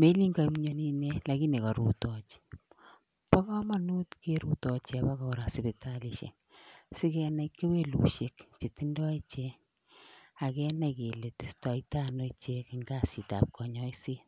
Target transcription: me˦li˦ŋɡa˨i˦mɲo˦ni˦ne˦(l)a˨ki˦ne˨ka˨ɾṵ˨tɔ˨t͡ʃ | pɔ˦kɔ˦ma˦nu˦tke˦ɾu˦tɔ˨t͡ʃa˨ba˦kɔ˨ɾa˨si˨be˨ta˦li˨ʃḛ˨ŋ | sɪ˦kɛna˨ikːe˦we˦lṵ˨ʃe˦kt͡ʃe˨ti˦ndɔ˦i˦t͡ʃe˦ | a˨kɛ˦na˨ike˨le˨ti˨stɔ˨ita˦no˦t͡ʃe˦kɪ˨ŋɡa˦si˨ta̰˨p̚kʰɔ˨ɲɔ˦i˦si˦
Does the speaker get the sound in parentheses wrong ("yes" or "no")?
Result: no